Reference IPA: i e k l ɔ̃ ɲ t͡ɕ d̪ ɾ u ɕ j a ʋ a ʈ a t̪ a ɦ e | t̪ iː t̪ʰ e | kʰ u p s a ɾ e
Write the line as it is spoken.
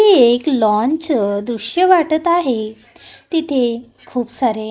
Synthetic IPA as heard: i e k l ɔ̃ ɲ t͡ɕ d̪ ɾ u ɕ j ə ʋ a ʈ ə t̪ a ɦ e | t̪ i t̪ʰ e | kʰ uː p s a ɾ e